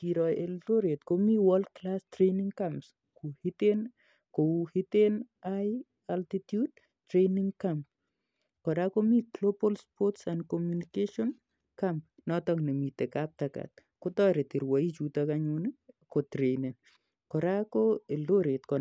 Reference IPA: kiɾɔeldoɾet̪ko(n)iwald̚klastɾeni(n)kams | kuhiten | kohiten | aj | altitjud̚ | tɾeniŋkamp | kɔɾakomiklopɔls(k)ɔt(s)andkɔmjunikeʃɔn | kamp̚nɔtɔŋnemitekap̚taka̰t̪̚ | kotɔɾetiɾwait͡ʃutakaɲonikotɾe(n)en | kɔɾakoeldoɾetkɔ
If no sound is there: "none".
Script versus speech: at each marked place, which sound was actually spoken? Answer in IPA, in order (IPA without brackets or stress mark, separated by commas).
m, ŋ, p, s, n